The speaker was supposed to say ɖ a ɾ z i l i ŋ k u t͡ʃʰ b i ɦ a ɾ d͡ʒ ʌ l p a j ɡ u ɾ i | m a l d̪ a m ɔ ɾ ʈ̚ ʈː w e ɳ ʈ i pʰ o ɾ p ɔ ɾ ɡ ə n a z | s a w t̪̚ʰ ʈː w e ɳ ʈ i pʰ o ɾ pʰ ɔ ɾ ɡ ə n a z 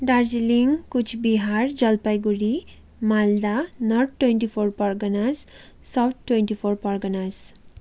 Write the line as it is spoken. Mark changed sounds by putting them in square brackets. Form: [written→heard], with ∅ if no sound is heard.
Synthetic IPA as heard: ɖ a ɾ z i l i ŋ k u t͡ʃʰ b i ɦ a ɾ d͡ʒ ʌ l p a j ɡ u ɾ i | m a l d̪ a [m→n] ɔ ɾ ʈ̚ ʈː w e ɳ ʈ i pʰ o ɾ p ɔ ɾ ɡ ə n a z | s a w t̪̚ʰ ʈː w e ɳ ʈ i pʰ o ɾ [pʰ→p] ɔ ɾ ɡ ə n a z